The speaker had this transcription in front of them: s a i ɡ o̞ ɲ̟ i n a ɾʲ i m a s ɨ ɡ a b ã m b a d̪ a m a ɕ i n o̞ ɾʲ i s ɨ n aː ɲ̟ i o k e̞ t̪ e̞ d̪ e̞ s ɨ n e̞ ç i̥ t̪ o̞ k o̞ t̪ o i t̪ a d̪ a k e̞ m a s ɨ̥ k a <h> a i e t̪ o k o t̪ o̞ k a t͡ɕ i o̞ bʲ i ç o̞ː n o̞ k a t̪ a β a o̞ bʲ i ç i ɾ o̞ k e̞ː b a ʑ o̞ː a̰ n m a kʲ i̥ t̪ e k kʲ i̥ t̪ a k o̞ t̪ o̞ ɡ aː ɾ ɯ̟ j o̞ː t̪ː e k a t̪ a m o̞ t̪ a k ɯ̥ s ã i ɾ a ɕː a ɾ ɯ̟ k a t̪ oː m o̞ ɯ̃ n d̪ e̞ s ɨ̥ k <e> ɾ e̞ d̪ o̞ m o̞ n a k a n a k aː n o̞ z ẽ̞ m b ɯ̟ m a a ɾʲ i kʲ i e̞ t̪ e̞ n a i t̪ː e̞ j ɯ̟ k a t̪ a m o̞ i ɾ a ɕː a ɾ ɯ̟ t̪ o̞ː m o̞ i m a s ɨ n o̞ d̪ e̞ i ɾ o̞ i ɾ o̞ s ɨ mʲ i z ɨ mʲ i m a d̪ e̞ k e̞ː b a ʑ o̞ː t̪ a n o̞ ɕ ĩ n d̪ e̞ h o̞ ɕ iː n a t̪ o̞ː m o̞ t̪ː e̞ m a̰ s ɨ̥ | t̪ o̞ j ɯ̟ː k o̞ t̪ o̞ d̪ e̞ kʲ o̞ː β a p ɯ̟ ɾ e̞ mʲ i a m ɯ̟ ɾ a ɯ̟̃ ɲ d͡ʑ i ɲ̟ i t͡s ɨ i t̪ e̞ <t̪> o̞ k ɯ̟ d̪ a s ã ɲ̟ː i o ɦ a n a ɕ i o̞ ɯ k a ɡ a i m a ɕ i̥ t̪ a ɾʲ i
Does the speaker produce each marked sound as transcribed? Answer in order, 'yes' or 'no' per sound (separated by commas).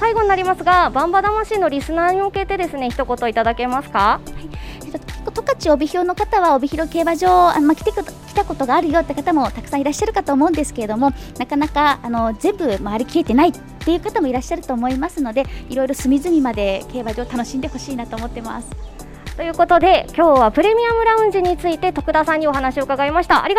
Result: yes, yes, yes